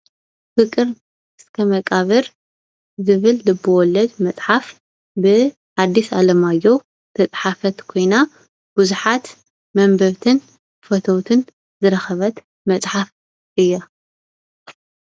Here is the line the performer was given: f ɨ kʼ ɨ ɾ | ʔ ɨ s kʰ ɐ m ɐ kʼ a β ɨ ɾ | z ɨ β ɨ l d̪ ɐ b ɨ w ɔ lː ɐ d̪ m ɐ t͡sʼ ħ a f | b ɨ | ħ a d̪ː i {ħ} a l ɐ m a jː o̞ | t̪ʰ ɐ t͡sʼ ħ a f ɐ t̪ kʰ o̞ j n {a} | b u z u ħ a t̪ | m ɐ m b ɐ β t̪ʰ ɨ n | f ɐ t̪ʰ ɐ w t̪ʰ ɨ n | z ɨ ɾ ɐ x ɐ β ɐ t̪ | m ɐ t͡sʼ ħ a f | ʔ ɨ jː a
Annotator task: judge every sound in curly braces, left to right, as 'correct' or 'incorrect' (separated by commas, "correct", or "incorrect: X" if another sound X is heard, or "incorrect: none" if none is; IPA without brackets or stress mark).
incorrect: s, correct